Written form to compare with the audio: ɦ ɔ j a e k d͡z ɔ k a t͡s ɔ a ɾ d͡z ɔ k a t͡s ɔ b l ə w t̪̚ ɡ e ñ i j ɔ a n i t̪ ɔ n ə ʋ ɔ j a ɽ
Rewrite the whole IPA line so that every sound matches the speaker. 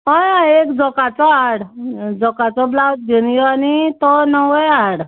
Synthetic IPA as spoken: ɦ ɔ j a e k d͡z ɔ k a t͡s ɔ a ɽ d͡z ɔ k a t͡s ɔ b l a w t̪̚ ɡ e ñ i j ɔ a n i t̪ ɔ n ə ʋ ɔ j a ɽ